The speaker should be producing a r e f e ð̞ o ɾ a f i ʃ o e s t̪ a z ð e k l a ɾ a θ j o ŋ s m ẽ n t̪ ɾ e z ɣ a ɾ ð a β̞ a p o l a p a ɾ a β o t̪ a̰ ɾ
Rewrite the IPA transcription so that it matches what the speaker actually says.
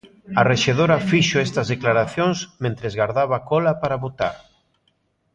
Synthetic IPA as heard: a r e ʃ e ð̞ o ɾ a f i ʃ o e s t̪ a z ð e k l a ɾ a θ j o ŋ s m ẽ n t̪ ɾ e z ɣ a ɾ ð a β̞ a k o l a p a ɾ a β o t̪ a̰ ɾ